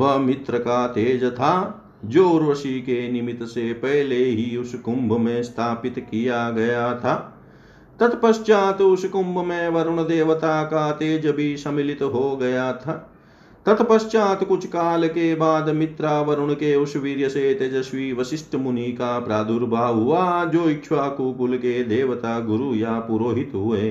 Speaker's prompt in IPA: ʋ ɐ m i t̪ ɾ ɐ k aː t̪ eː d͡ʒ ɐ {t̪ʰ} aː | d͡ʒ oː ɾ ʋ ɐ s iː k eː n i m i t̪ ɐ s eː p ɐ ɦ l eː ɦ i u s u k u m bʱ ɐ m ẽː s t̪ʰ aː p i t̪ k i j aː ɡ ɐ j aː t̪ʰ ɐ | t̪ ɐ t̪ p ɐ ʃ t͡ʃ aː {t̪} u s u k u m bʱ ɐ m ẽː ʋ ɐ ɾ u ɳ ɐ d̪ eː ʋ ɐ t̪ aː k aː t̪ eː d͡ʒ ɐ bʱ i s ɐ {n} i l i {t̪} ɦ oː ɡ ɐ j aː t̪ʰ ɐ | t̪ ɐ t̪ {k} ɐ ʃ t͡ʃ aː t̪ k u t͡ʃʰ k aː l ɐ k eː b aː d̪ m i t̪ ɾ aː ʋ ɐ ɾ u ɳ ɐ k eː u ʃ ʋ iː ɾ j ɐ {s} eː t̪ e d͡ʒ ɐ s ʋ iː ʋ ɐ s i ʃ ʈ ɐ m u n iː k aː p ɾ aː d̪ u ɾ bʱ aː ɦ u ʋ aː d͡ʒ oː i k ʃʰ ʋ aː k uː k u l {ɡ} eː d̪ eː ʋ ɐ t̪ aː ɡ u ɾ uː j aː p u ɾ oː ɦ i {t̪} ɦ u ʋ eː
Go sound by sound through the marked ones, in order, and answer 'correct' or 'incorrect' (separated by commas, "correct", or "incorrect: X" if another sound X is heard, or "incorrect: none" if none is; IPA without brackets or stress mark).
correct, correct, incorrect: m, correct, incorrect: p, correct, incorrect: k, correct